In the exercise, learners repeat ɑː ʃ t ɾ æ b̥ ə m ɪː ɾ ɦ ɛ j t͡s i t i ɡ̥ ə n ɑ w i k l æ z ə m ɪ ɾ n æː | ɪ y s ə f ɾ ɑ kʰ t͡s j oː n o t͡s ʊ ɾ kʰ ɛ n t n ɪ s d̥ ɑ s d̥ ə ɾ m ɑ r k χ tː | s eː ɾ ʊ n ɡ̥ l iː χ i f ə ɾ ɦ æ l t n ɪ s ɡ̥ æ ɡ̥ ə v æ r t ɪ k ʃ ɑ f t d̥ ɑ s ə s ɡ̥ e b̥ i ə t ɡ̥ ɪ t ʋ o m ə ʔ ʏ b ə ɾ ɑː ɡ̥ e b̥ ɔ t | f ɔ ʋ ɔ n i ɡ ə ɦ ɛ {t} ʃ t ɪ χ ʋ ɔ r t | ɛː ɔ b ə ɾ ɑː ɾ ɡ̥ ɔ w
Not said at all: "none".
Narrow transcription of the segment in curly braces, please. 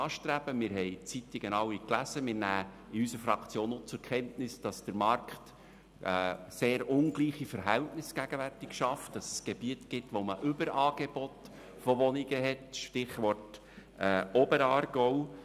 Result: t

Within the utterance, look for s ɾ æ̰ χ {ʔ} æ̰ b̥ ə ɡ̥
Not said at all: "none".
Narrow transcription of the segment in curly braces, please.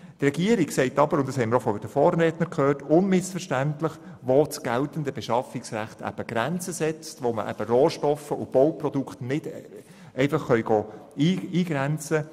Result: t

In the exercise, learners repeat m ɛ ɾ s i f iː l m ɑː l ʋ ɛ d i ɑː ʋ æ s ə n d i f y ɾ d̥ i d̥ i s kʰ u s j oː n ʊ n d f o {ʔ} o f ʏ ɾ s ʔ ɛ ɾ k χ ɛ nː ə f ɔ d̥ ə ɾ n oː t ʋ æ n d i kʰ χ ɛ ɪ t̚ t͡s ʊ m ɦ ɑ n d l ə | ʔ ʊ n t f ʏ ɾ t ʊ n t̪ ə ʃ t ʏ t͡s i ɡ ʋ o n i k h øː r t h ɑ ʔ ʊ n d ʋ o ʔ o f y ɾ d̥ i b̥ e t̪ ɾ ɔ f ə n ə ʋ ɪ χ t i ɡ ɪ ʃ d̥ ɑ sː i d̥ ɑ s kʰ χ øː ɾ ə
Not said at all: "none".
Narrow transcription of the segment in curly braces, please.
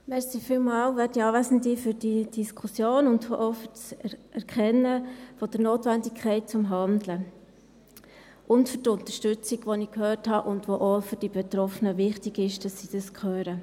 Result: ʔ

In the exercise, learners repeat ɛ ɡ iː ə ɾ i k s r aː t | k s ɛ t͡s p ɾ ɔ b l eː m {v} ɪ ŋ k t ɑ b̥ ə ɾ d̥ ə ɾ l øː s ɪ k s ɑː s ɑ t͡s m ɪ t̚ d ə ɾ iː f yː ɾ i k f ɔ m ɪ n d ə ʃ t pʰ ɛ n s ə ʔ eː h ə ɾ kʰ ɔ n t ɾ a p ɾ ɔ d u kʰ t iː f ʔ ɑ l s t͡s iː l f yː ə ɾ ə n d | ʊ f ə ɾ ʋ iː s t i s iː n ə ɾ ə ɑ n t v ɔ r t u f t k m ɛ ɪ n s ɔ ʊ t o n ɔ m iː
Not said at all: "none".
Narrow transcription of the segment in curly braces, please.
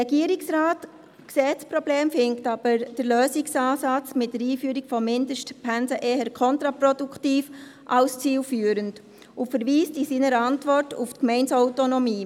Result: f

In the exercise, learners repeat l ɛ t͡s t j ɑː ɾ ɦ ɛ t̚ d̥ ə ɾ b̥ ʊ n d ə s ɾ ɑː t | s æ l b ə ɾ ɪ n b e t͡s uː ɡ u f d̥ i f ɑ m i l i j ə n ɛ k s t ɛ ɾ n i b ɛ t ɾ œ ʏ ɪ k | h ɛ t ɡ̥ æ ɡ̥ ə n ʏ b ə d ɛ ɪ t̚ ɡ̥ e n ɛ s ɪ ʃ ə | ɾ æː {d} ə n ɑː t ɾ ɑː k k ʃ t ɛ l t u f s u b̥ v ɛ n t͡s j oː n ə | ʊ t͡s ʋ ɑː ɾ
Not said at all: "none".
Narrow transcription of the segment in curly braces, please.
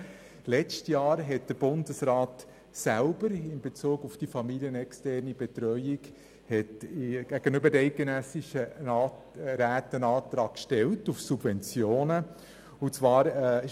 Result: t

